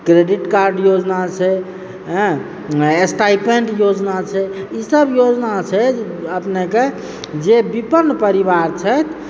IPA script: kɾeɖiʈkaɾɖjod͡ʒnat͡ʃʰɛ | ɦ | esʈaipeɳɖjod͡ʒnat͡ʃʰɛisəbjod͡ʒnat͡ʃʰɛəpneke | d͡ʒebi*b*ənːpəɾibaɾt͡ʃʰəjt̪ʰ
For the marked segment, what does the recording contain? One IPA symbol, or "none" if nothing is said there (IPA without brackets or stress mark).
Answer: p